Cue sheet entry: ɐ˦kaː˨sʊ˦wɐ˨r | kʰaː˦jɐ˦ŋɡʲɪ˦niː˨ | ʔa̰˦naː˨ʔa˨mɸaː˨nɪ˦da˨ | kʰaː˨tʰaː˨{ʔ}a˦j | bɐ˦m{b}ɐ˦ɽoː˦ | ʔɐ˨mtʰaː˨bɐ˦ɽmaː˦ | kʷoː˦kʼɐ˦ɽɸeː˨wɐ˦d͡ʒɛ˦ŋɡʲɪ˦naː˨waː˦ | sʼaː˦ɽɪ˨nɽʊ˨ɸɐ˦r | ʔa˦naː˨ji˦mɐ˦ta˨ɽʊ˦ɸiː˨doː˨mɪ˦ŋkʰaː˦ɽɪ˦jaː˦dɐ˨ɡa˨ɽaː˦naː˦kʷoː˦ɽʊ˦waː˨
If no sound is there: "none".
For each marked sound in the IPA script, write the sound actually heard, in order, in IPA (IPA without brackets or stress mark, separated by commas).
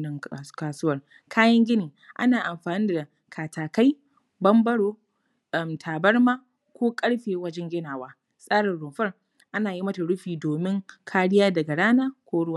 k, b